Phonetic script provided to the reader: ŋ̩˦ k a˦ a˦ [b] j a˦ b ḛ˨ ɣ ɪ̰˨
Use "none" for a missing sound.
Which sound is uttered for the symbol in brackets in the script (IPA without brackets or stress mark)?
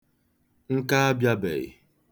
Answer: b